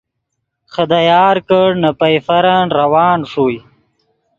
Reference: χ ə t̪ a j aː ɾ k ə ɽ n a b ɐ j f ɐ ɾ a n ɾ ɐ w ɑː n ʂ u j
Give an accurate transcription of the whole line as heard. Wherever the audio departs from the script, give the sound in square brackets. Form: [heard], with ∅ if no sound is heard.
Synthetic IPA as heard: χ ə [d̪] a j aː ɾ k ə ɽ n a [p] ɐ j f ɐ ɾ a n ɾ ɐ w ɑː n ʂ u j